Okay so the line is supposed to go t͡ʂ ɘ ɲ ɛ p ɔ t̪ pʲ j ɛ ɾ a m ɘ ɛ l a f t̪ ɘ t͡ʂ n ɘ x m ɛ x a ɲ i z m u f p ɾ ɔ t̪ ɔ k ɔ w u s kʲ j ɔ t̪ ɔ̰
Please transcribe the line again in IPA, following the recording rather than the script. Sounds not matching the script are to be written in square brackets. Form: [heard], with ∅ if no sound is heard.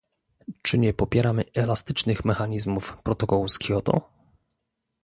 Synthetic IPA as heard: t͡ʂ ɘ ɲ ɛ p ɔ [∅] pʲ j ɛ ɾ a m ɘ ɛ l a [s] t̪ ɘ t͡ʂ n ɘ x m ɛ x a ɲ i z m u f p ɾ ɔ t̪ ɔ k ɔ w u s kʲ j ɔ t̪ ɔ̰